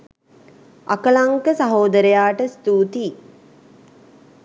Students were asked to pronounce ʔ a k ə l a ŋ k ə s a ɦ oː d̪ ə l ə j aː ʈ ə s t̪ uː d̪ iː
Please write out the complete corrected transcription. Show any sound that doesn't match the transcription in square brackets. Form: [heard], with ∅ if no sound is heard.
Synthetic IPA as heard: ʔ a k ə l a ŋ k ə s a ɦ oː d̪ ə [ɾ] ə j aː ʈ ə s t̪ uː [t̪] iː